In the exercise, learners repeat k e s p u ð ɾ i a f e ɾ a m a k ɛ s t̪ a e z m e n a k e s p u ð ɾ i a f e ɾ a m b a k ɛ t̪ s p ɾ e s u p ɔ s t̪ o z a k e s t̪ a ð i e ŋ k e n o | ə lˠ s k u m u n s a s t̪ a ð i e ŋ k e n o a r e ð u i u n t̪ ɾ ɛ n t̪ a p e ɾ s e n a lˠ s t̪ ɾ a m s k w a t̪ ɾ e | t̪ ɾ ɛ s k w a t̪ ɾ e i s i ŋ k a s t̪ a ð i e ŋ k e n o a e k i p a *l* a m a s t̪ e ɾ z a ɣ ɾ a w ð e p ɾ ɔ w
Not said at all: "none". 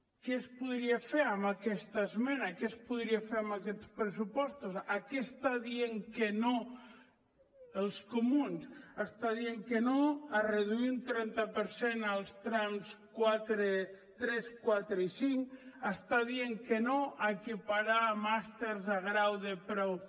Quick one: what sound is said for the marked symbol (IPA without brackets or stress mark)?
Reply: ɾ